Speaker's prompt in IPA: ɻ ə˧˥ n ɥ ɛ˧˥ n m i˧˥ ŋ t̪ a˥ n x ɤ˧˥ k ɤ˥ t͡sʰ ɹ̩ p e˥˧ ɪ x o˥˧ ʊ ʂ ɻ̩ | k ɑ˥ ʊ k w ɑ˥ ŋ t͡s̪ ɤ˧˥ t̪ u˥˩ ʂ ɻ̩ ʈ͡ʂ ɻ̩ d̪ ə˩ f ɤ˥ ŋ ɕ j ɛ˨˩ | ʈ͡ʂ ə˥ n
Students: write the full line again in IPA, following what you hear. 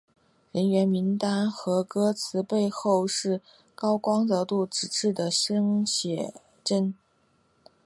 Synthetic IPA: ɻ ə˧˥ n ɥ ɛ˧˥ n m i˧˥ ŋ t̪ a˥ n x ɤ˧˥ k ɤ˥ t͡sʰ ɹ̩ p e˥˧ ɪ x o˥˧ ʊ ʂ ɻ̩ | k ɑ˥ ʊ k w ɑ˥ ŋ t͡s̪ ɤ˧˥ t̪ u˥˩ ʈ͡ʂ ɻ̩ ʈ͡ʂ ɻ̩ d̪ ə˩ ʂ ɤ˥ ŋ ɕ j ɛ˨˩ | ʈ͡ʂ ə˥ n